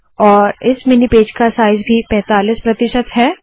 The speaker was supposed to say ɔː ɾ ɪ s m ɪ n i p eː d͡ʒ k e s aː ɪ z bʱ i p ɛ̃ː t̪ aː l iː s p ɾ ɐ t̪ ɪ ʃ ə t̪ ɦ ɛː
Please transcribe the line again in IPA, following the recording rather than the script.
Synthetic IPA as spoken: ɔː ɾ ɪ s m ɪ n i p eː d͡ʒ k a s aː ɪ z bʱ i p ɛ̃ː t̪ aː l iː s p ɾ ɐ t̪ ɪ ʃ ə t̪ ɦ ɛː

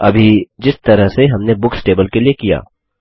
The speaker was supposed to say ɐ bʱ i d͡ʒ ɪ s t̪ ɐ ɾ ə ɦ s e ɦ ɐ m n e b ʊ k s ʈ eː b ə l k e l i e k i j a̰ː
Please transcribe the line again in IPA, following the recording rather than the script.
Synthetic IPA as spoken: ɐ bʱ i d͡ʒ ɪ s t̪ ɐ ɾ ə ɦ s e ɦ ɐ m n e b ʊ k s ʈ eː b ə l k e l i e k i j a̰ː

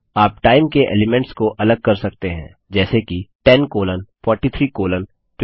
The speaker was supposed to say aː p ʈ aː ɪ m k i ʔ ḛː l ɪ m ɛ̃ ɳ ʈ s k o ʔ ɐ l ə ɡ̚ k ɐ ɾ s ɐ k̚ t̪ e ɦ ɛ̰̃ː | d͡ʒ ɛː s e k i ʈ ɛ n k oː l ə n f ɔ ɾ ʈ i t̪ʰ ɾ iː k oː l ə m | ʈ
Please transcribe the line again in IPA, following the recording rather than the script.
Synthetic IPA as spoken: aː p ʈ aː ɪ m k e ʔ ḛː l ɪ m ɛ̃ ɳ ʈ s k o ʔ ɐ l ə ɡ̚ k ɐ ɾ s ɐ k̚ t̪ e ɦ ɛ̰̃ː | d͡ʒ ɛː s e k i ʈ ɛ n k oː l ə n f ɔː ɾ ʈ i t̪ʰ ɾ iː k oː l ə n | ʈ

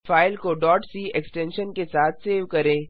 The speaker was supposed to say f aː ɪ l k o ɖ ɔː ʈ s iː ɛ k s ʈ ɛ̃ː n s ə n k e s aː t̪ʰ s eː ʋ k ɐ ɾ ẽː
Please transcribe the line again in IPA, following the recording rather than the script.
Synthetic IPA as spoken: f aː ɪ l k o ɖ ɔː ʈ s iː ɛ k s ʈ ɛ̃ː n ʃ ə n k e s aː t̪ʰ s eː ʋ k ɐ ɾ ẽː

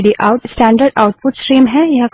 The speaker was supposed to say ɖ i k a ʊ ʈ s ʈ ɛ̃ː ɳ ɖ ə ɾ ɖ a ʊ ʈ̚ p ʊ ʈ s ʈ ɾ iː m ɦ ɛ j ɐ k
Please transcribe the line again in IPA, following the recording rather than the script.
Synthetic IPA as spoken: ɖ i ʔ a ʊ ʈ s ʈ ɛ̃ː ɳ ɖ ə ɾ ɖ a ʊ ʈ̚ p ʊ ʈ s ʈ ɾ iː m ɦ ɛ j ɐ k

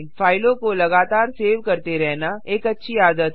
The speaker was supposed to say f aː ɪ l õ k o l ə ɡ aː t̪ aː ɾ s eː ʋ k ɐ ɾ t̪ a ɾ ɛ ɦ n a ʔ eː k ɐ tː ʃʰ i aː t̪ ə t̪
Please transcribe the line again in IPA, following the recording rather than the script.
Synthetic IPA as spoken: f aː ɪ l õ k o l ɐ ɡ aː t̪ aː ɾ s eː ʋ k ɐ ɾ t̪ e ɾ ɛ ɦ n a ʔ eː k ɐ tː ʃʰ i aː d̪ ə t̪

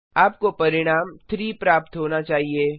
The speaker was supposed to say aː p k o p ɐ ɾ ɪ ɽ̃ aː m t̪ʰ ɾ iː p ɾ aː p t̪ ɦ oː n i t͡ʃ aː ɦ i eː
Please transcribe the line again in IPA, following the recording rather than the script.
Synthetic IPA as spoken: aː p k o p ɐ ɾ ɪ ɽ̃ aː m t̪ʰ ɾ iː p ɾ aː p t̪ ɦ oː n a t͡ʃ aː ɦ i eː

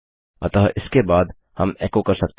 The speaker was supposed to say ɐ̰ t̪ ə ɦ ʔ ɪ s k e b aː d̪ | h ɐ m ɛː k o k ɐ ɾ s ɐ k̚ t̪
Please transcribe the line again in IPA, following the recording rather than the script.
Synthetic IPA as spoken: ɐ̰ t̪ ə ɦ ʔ ɪ s k e b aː d̪ | h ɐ m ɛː k o k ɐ ɾ s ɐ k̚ t̪

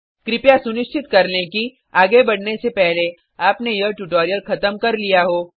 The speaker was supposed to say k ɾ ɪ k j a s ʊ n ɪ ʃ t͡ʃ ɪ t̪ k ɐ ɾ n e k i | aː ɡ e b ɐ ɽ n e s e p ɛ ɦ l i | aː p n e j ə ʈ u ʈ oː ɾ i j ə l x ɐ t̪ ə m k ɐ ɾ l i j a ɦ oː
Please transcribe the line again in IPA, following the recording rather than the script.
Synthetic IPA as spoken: k ɾ ɪ p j a s ʊ n ɪ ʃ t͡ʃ ɪ t̪ k ɐ ɾ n e k i | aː ɡ e b ɐ ɽ n e s e p ɛ ɦ l e | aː p n e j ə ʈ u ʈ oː ɾ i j ə l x ɐ t̪ ə m k ɐ ɾ l i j a ɦ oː

